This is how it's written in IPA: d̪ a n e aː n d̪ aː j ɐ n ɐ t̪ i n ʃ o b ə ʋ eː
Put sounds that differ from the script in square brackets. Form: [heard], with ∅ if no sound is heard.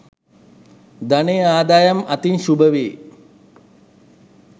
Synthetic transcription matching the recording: d̪ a n e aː [∅] d̪ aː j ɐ [m] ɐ t̪ i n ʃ [u] b ə ʋ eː